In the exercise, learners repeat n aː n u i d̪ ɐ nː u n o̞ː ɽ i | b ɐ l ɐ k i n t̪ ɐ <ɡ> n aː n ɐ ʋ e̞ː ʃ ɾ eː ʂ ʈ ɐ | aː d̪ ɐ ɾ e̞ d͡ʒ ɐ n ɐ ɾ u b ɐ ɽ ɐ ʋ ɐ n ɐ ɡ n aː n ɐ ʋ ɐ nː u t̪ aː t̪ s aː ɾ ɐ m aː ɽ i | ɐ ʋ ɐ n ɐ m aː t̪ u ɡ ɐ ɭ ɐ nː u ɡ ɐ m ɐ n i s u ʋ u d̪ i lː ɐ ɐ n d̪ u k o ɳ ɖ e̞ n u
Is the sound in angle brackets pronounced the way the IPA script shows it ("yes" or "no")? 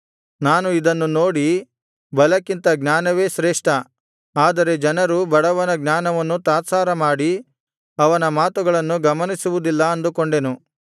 yes